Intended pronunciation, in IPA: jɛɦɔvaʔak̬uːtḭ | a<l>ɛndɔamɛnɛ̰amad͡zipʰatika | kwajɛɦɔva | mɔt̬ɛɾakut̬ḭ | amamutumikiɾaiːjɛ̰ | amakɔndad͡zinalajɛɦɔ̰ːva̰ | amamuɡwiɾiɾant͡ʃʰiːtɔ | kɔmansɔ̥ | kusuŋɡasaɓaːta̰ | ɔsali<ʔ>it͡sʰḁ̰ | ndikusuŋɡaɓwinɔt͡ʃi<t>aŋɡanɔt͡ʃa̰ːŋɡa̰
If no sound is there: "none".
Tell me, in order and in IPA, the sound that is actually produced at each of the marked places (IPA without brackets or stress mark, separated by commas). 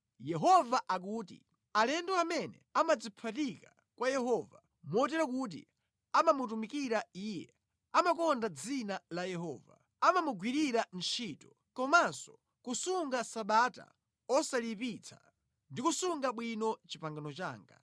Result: l, p, p